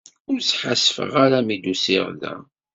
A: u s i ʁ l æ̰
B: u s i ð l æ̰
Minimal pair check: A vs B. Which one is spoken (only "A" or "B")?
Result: A